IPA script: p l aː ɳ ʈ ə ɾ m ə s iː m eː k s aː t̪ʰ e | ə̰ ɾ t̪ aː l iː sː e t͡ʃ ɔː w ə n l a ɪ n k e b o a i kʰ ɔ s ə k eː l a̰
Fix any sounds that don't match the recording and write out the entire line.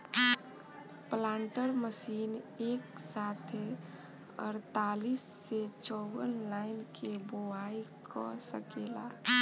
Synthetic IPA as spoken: p l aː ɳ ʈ ə ɾ m ə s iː n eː k s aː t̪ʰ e | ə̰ ɾ t̪ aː l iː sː e t͡ʃ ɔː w ə n l a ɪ n k e b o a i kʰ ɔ s ə k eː l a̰